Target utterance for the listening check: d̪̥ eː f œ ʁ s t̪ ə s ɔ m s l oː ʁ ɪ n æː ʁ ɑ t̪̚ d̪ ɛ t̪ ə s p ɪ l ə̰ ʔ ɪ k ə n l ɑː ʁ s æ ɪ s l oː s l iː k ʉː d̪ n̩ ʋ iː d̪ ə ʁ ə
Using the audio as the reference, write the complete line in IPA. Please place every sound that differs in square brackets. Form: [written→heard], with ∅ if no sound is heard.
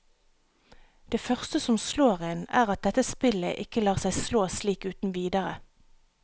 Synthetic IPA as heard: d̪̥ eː f œ ʁ s t̪ ə s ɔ m s l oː ʁ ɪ n æː ʁ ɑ t̪̚ d̪ ɛ t̪ ə s p ɪ l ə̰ ʔ ɪ k ə [n→∅] l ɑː ʁ s æ ɪ s l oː s l iː k ʉː [d̪→t̪] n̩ ʋ iː d̪ ə ʁ ə